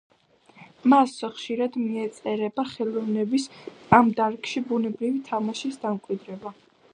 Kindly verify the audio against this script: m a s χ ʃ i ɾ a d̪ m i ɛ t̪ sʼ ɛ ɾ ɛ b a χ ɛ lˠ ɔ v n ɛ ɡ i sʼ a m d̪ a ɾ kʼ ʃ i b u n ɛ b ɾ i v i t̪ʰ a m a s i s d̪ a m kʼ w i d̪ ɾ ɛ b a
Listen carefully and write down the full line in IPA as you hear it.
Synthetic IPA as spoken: m a s χ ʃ i ɾ a d̪ m i ɛ t̪ sʼ ɛ ɾ ɛ b a χ ɛ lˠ ɔ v n ɛ b i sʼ a m d̪ a ɾ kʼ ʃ i b u n ɛ b ɾ i v i t̪ʰ a m a ʃ i s d̪ a m kʼ w i d̪ ɾ ɛ b a